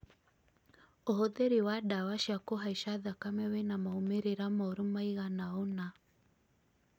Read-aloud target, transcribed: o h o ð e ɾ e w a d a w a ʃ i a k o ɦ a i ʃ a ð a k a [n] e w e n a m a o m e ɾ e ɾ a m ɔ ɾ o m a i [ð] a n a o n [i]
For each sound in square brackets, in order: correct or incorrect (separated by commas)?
incorrect, incorrect, incorrect